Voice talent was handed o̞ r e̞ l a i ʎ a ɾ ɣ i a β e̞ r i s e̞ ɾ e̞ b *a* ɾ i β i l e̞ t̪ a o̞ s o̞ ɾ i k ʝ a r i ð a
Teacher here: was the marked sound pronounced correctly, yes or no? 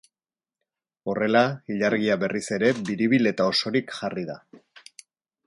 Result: no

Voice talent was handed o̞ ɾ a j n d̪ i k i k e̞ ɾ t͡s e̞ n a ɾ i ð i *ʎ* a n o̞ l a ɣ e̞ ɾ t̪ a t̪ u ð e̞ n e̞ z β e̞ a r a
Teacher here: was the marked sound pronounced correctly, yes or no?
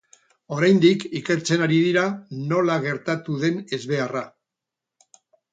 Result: no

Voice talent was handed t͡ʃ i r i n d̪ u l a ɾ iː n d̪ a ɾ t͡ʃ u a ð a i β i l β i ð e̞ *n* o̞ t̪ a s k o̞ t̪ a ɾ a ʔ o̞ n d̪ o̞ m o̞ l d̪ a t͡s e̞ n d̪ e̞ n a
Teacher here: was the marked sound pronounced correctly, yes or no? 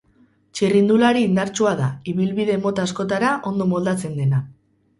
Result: no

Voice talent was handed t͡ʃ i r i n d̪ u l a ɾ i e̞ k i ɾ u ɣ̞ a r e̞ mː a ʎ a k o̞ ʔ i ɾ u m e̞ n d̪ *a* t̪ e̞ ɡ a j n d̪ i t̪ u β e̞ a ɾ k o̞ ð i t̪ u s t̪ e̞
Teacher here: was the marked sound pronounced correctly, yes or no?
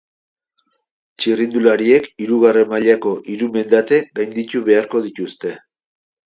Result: yes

